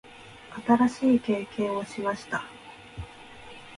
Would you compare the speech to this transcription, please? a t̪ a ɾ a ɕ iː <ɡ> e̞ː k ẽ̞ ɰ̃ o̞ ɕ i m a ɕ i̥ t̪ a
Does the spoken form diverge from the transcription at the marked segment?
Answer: yes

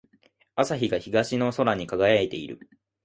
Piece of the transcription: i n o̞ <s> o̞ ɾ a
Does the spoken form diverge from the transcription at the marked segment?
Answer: no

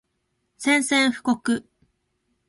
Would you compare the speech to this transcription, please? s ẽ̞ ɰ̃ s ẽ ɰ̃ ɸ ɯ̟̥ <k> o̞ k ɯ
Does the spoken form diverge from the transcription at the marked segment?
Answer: no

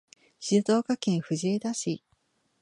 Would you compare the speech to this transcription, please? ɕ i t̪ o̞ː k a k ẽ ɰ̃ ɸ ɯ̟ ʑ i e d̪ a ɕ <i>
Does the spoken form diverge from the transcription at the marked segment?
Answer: no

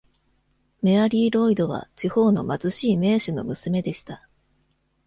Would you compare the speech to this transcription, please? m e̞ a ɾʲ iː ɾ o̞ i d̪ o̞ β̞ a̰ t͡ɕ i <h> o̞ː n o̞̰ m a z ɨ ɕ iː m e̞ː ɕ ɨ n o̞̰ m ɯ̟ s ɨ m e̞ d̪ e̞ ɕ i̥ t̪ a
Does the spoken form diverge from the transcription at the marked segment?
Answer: no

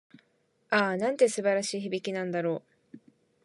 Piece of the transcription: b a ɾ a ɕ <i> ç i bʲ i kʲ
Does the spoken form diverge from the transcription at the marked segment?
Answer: yes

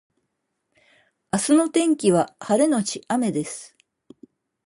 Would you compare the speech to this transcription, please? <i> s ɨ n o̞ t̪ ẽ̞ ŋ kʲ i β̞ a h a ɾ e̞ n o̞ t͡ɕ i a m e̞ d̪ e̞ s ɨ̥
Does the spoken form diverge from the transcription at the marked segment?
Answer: yes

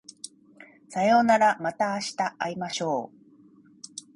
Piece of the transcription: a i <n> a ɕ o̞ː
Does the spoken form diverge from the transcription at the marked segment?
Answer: yes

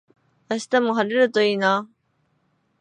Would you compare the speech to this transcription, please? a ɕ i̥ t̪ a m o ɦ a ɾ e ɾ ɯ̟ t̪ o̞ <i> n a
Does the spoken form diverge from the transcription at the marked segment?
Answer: yes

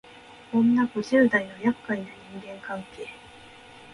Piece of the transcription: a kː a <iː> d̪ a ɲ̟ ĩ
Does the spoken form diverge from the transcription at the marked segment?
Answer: yes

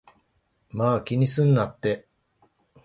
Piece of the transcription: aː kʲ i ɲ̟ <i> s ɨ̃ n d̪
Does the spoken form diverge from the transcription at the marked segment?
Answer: no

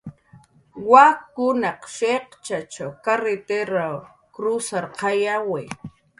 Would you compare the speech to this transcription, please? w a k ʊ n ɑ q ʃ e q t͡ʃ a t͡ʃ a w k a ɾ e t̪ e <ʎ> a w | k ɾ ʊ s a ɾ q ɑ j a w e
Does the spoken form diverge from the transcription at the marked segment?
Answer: yes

